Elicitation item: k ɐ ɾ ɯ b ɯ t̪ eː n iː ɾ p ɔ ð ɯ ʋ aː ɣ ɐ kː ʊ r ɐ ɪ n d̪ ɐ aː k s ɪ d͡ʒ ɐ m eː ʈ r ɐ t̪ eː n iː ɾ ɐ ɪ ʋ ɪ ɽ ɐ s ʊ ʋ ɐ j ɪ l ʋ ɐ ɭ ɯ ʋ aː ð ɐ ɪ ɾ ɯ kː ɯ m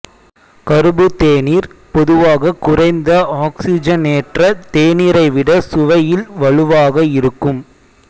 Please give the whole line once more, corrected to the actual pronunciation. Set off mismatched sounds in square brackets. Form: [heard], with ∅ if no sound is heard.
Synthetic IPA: k ɐ ɾ ɯ b ɯ t̪ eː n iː ɾ p ɔ ð ɯ ʋ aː ɣ ɐ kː ʊ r ɐ ɪ n d̪ ɐ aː k s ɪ d͡ʒ ɐ [n] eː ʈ r ɐ t̪ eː n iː ɾ ɐ ɪ ʋ ɪ ɽ ɐ s ʊ ʋ ɐ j ɪ l ʋ ɐ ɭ ɯ ʋ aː [ɣ] ɐ ɪ ɾ ɯ kː ɯ m

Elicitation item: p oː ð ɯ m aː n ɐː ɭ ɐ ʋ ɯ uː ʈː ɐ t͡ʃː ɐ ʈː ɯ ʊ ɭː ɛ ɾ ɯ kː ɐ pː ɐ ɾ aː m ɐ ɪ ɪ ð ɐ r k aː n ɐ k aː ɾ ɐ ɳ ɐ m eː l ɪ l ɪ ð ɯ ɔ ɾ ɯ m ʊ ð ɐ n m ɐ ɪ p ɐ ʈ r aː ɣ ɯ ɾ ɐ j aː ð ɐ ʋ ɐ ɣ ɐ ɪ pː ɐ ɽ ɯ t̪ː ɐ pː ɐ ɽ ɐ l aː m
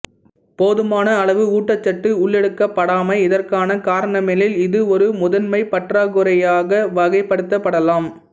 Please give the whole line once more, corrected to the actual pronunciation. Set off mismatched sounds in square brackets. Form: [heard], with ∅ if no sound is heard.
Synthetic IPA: p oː ð ɯ m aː n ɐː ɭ ɐ ʋ ɯ uː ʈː ɐ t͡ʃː ɐ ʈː ɯ ʊ ɭː ɛ [ɽ] ɯ kː ɐ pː ɐ [ɽ] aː m ɐ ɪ ɪ ð ɐ r k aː n ɐ k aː ɾ ɐ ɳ ɐ m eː l ɪ l ɪ ð ɯ ɔ ɾ ɯ m ʊ ð ɐ n m ɐ ɪ p ɐ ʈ r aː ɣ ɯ ɾ ɐ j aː [ɣ] ɐ ʋ ɐ ɣ ɐ ɪ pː ɐ ɽ ɯ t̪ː ɐ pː ɐ ɽ ɐ l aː m

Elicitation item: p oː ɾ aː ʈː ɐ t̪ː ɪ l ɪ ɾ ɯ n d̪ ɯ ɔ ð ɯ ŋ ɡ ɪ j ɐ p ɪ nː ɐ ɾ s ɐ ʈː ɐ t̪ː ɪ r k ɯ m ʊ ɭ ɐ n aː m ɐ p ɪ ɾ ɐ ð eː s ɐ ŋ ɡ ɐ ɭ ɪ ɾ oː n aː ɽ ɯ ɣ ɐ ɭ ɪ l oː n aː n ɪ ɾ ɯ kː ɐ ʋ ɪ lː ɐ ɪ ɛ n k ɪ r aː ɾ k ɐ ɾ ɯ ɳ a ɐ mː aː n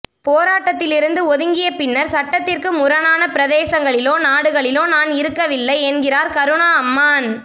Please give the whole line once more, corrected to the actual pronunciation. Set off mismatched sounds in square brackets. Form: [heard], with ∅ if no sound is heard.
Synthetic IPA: p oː ɾ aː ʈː ɐ t̪ː ɪ l ɪ ɾ ɯ n d̪ ɯ ɔ ð ɯ ŋ ɡ ɪ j ɐ p ɪ nː ɐ ɾ s ɐ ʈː ɐ t̪ː ɪ r k ɯ m ʊ [ɾ] ɐ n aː [n] ɐ p ɪ ɾ ɐ ð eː s ɐ ŋ ɡ ɐ ɭ ɪ [l] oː n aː ɽ ɯ ɣ ɐ ɭ ɪ l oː n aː n ɪ ɾ ɯ kː ɐ ʋ ɪ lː ɐ ɪ ɛ n [ɡ] ɪ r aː ɾ k ɐ ɾ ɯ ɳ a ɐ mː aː n

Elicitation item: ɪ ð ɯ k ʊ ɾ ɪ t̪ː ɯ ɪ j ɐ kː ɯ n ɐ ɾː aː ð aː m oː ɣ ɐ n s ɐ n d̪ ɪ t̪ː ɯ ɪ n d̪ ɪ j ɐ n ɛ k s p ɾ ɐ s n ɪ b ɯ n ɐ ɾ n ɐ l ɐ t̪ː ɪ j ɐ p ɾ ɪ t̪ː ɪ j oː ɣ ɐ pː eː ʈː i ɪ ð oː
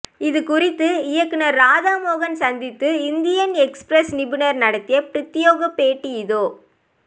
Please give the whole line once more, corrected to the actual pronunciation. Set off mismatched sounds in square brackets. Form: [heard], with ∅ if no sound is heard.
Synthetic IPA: ɪ ð ɯ k ʊ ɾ ɪ t̪ː ɯ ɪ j ɐ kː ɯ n ɐ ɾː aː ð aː m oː ɣ ɐ n s ɐ n d̪ ɪ t̪ː ɯ ɪ n d̪ ɪ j ɐ n ɛ k s p ɾ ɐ s n ɪ b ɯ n ɐ ɾ n ɐ [ɽ] ɐ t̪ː ɪ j ɐ p ɾ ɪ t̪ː ɪ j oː ɣ ɐ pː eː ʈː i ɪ ð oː

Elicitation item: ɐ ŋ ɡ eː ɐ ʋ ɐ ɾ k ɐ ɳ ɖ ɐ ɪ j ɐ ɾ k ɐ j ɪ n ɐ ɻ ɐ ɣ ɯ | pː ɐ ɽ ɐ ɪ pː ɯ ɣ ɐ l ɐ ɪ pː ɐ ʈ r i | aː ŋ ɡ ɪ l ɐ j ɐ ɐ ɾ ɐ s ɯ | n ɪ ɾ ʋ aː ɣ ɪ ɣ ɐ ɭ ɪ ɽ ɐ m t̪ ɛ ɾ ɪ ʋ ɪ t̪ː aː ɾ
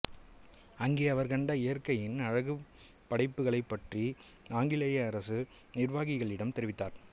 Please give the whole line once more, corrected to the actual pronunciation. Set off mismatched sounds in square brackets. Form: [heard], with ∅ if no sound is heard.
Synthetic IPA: ɐ ŋ ɡ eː ɐ ʋ ɐ ɾ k ɐ ɳ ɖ ɐ ɪ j ɐ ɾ k ɐ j ɪ n ɐ ɻ ɐ ɣ ɯ | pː ɐ ɽ ɐ ɪ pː ɯ ɣ ɐ [ɭ] ɐ ɪ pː ɐ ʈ r i | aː ŋ ɡ ɪ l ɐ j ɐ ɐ ɾ ɐ s ɯ | n ɪ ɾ ʋ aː ɣ ɪ ɣ ɐ ɭ ɪ ɽ ɐ m t̪ ɛ ɾ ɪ ʋ ɪ t̪ː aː ɾ

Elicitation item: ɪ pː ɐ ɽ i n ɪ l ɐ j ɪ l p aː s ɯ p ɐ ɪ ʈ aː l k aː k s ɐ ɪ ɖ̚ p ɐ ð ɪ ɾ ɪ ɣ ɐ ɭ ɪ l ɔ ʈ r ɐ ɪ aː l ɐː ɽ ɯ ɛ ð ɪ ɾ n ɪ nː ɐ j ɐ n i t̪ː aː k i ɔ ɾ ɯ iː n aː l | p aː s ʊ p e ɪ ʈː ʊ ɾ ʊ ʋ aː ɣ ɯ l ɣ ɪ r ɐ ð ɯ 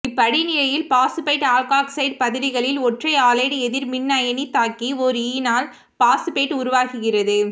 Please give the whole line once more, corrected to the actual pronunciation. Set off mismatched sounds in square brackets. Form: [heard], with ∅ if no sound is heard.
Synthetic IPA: ɪ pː ɐ ɽ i n ɪ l ɐ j ɪ l p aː s ɯ p ɐ ɪ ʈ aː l k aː k s ɐ ɪ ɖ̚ p ɐ ð ɪ ɾ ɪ ɣ ɐ ɭ ɪ l ɔ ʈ r ɐ ɪ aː l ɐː ɽ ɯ ɛ ð ɪ ɾ [m] ɪ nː ɐ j ɐ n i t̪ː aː k i ɔ ɾ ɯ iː n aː l | p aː s [ɯ] p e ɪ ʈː ʊ ɾ ʊ ʋ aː ɣ ɯ [∅] ɣ ɪ r ɐ ð ɯ

